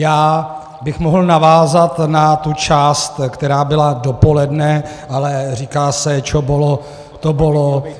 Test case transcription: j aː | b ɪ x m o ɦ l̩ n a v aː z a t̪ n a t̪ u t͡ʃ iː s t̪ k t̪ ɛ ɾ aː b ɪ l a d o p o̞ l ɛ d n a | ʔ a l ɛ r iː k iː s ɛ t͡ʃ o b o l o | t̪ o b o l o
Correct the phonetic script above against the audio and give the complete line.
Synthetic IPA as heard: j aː | b ɪ x m o ɦ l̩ n a v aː z a t̪ n a t̪ u t͡ʃ aː s t̪ k t̪ ɛ ɾ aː b ɪ l a d o p o̞ l ɛ d n ɛ | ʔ a l ɛ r iː k aː s ɛ t͡ʃ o b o l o | t̪ o b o l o